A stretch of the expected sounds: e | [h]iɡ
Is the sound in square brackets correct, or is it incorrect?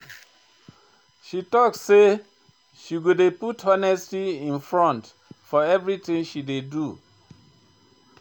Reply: incorrect: ʃ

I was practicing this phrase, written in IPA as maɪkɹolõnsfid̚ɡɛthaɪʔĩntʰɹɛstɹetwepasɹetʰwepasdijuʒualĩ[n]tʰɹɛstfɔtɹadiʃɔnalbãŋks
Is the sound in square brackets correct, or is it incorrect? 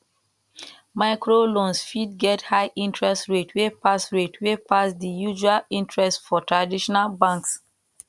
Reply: correct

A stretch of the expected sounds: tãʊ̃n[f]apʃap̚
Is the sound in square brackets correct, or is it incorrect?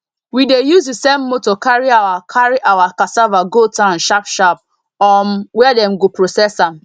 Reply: incorrect: ʃ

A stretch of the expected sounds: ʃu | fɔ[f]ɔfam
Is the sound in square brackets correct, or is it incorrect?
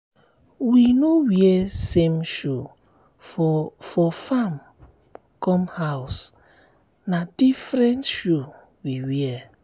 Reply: correct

